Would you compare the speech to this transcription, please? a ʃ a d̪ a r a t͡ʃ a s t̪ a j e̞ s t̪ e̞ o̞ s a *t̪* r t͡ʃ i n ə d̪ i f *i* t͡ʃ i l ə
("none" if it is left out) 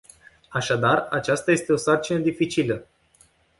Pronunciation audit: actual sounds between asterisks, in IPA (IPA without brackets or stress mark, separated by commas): none, i